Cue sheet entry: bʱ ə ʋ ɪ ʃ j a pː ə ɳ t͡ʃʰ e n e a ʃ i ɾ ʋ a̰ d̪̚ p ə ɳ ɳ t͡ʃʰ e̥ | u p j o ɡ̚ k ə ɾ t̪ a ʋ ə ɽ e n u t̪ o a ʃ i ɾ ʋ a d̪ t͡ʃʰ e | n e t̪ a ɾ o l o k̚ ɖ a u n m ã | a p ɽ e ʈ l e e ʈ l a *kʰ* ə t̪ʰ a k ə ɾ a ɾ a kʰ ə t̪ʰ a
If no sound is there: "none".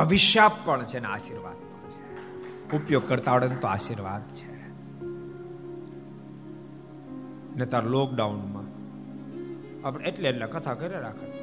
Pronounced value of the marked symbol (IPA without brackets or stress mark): k